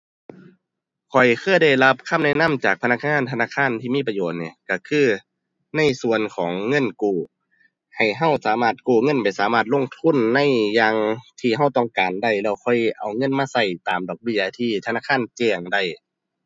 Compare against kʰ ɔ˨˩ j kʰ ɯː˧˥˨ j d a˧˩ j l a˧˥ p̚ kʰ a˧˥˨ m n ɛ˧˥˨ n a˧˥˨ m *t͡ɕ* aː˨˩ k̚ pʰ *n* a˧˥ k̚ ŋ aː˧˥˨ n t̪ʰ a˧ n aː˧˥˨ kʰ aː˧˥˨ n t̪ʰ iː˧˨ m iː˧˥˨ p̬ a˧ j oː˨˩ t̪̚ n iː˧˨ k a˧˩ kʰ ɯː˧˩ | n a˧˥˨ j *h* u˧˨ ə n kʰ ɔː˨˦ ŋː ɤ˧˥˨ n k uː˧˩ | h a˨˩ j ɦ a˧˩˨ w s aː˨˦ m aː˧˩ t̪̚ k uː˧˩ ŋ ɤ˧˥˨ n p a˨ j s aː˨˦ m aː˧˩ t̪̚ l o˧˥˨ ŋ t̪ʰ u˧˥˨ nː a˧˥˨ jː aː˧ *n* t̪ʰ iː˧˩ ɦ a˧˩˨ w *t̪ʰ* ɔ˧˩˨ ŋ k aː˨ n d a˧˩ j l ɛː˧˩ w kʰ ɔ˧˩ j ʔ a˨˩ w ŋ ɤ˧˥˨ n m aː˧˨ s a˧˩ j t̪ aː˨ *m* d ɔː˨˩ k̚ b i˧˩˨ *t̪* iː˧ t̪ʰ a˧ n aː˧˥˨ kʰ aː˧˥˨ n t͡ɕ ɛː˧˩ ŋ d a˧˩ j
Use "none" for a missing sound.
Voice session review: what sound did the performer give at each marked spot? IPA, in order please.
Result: t͡ɕ, n, s, ŋ, t̪, m, t̪ʰ

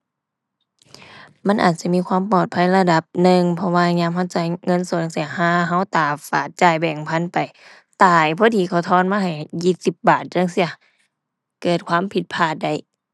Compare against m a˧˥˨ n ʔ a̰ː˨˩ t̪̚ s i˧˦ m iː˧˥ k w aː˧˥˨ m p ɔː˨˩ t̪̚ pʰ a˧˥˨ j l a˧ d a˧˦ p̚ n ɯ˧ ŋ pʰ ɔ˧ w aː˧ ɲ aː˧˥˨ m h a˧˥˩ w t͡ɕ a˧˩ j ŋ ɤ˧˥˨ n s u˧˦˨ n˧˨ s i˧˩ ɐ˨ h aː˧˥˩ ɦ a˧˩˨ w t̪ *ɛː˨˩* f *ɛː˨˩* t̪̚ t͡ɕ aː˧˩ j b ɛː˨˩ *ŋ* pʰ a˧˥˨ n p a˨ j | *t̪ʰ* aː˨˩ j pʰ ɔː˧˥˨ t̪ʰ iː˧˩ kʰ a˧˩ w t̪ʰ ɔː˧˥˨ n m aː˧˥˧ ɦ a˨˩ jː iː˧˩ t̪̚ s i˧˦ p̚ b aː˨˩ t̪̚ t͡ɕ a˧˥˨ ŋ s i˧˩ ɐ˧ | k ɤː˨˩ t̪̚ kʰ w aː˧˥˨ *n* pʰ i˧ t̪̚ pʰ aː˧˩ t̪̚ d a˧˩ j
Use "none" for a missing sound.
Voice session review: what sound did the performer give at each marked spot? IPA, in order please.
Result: aː˨˩, aː˨˩, ŋ, t̪, m

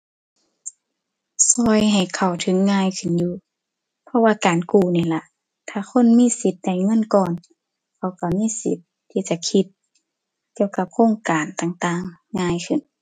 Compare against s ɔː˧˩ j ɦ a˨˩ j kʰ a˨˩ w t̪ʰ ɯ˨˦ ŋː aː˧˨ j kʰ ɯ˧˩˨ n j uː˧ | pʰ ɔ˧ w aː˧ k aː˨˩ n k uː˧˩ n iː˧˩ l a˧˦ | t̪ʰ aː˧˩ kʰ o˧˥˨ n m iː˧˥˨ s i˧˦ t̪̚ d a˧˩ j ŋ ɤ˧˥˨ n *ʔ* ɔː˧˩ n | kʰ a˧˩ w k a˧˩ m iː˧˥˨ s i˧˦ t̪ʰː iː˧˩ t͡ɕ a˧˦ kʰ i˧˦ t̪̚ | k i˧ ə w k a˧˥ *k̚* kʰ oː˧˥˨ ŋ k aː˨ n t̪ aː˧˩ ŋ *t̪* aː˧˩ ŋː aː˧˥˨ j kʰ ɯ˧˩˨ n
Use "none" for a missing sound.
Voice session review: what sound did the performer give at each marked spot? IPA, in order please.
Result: k, p̚, t̪

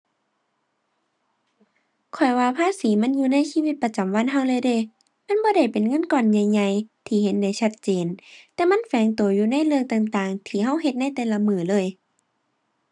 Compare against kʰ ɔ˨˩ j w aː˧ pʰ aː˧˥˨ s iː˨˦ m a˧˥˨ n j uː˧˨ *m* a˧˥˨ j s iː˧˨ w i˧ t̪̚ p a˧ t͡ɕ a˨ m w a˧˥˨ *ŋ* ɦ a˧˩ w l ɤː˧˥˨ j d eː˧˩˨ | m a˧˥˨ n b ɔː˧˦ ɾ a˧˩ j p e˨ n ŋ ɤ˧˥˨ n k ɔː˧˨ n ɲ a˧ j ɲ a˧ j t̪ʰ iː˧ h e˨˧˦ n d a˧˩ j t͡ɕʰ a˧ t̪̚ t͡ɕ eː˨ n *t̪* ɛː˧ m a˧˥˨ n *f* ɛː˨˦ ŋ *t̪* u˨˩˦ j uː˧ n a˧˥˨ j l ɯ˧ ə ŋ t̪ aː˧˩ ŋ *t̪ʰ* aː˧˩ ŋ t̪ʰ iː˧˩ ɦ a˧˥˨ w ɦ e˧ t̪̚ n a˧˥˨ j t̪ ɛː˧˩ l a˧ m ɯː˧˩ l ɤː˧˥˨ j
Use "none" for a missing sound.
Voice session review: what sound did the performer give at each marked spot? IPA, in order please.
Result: n, n, t̪, f, t̪, t̪

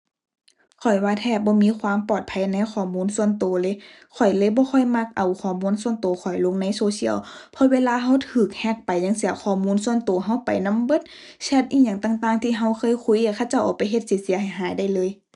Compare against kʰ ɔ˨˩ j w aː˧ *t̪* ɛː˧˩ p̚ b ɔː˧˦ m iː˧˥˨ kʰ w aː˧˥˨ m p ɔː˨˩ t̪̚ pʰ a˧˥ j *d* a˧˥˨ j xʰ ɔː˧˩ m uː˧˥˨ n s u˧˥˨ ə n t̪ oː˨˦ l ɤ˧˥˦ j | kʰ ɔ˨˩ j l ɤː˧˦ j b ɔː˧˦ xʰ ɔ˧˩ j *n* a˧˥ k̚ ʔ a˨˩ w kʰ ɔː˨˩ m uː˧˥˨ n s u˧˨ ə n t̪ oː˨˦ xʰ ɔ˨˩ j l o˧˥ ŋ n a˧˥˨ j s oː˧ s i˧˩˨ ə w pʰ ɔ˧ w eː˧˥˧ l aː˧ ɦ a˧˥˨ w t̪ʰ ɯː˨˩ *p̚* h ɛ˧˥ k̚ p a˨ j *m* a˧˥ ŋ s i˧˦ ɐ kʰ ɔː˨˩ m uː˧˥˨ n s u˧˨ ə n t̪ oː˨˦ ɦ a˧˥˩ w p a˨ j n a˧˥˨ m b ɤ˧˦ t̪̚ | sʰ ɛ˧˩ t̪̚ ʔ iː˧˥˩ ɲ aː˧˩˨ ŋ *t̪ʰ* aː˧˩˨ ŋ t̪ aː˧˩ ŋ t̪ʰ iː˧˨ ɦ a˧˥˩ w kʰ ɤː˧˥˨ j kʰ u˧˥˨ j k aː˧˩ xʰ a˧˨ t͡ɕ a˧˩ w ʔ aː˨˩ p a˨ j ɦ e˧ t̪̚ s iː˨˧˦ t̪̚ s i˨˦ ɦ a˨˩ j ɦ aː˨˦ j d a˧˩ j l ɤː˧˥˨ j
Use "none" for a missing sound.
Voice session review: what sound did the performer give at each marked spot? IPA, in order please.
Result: t̪ʰ, n, m, k̚, ɲ, t̪

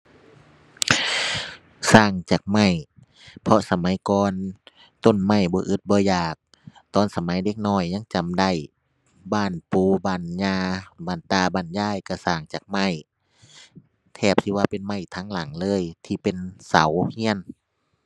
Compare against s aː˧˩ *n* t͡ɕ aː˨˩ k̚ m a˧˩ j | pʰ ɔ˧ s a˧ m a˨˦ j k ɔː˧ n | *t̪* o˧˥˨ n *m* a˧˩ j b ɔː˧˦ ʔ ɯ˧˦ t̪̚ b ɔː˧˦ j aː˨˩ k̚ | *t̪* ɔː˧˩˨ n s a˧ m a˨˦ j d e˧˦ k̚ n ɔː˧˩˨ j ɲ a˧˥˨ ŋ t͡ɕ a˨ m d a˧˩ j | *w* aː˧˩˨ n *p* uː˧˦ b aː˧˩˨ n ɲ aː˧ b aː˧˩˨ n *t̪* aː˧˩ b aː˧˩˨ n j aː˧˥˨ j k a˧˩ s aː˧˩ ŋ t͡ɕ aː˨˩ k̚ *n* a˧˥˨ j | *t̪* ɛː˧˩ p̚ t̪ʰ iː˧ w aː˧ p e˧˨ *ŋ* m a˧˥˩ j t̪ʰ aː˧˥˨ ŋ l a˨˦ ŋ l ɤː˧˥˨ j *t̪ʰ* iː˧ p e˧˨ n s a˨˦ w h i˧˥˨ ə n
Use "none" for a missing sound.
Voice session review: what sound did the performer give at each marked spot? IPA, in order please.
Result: ŋ, t̪, m, t̪, b, p, t̪, m, t̪ʰ, n, t̪ʰ

